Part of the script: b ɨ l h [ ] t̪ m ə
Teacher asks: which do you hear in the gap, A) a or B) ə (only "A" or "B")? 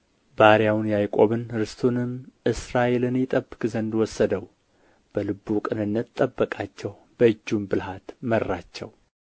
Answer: A